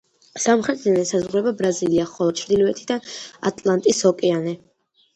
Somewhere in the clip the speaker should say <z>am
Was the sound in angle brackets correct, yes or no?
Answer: no